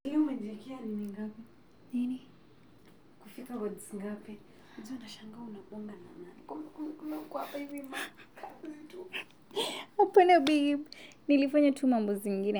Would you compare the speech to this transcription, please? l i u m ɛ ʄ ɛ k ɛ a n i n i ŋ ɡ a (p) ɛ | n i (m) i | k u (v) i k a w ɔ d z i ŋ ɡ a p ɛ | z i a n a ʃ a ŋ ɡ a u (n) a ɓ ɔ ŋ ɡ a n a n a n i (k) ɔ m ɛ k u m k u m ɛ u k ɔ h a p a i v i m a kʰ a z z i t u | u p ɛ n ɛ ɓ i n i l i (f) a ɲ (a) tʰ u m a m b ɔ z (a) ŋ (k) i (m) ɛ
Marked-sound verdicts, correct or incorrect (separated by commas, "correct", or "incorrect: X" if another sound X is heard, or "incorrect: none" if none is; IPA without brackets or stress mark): correct, incorrect: n, incorrect: f, correct, correct, correct, correct, incorrect: i, incorrect: ɡ, incorrect: n